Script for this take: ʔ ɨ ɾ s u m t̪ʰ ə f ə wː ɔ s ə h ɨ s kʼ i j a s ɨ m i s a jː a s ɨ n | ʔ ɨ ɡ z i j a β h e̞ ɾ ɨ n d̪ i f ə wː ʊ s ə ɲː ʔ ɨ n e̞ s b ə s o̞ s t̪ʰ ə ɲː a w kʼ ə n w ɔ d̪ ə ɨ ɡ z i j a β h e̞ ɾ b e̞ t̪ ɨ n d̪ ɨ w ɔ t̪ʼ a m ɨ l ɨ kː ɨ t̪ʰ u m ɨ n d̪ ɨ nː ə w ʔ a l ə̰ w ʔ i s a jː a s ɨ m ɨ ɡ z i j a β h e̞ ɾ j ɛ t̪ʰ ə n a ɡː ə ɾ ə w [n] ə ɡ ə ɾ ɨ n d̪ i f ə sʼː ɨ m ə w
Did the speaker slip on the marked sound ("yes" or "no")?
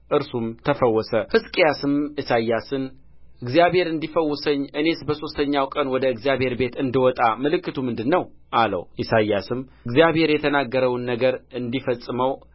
yes